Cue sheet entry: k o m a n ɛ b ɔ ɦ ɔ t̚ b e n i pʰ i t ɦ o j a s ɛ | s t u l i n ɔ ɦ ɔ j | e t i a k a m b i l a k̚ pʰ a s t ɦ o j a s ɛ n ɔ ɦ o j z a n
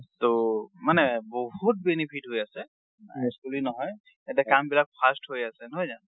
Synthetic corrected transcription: t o m a n ɛ b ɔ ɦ u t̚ b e n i pʰ i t ɦ o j a s ɛ | s k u l i n ɔ ɦ ɔ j | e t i a k a m b i l a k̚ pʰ a s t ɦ o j a s ɛ n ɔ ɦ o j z a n